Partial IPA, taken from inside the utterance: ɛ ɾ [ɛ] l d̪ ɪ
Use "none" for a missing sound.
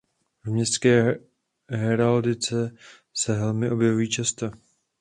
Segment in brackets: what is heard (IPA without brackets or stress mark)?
a